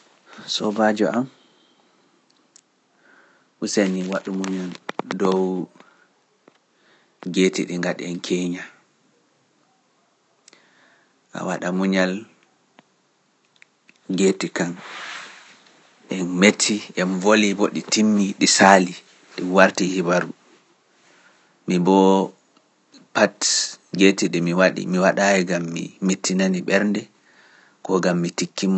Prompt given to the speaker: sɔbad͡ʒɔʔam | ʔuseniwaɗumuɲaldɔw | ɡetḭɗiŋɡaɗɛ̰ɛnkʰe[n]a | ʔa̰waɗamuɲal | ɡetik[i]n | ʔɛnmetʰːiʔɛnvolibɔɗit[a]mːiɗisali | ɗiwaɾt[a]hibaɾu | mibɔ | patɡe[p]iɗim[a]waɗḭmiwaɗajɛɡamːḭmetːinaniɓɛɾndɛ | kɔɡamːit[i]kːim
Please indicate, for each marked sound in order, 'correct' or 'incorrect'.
incorrect, incorrect, incorrect, incorrect, incorrect, incorrect, correct

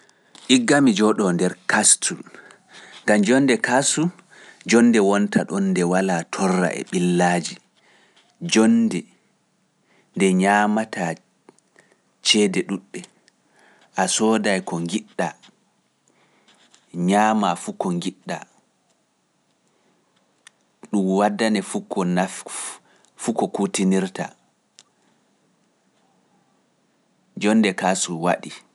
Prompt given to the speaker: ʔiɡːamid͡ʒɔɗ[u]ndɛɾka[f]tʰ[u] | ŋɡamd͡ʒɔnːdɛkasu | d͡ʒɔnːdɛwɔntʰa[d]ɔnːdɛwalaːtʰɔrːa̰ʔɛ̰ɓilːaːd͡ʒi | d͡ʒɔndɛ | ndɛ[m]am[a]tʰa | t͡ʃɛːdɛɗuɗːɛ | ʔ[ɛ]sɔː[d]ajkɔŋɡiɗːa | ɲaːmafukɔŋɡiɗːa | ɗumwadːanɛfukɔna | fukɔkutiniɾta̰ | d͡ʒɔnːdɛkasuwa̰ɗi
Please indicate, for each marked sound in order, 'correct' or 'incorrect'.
incorrect, incorrect, correct, incorrect, incorrect, correct, incorrect, correct

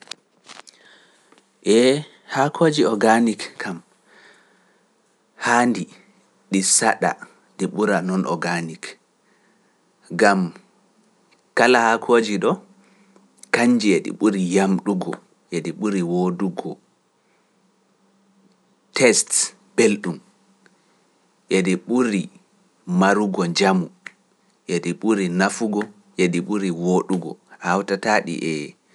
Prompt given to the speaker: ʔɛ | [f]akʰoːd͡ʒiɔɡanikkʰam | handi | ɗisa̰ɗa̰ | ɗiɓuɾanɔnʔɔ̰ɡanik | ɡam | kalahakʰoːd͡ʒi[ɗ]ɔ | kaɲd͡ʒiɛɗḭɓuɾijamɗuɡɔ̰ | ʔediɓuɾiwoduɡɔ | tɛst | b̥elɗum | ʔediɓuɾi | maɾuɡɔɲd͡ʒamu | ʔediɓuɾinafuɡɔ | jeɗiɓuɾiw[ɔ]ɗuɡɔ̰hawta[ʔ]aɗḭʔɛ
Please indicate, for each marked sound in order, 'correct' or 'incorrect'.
incorrect, correct, incorrect, incorrect

